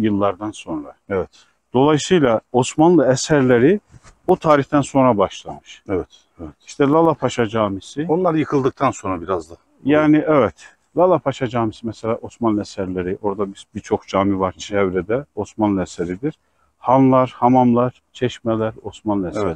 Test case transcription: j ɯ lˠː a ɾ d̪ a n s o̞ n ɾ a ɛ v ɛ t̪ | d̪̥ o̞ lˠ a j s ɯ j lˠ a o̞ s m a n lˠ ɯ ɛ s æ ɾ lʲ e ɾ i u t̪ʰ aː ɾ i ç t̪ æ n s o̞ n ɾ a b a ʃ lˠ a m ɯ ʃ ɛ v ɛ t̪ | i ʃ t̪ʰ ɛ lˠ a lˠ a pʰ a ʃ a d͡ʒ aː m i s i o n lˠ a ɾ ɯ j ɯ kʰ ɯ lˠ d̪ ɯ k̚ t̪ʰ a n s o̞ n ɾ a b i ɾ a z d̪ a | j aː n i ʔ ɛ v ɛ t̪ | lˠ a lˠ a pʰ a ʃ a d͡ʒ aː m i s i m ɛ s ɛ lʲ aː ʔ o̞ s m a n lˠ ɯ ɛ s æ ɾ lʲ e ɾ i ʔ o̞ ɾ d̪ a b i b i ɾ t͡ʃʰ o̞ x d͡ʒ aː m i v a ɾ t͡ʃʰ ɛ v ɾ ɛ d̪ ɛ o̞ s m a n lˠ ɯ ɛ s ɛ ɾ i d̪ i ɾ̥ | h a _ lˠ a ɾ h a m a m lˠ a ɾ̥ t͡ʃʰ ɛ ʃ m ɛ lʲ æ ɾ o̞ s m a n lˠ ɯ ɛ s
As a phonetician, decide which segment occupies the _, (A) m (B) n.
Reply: B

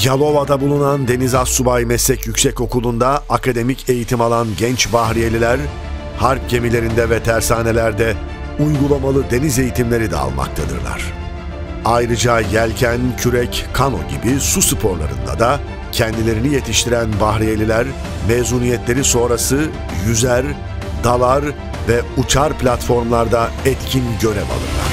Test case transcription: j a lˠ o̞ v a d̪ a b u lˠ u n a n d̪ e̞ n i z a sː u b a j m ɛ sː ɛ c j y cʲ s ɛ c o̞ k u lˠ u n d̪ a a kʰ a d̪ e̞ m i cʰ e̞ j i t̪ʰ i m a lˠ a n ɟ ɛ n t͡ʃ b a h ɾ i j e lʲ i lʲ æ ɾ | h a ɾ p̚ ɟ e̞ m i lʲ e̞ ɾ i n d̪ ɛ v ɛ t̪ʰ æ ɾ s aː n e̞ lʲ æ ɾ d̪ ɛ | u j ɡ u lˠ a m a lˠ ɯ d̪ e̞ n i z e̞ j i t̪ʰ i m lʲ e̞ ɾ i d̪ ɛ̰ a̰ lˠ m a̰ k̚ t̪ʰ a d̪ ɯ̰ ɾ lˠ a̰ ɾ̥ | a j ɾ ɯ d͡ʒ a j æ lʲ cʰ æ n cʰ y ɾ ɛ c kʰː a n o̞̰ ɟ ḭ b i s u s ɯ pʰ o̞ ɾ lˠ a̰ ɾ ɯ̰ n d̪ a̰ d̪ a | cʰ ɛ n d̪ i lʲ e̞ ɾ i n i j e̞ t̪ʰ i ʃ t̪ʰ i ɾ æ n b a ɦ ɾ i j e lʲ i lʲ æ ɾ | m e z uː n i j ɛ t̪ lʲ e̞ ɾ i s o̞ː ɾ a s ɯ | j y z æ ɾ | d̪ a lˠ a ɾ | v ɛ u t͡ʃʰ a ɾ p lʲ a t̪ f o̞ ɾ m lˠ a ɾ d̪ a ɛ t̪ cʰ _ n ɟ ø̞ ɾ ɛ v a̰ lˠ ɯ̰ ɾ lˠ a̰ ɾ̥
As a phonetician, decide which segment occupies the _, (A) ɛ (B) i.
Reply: B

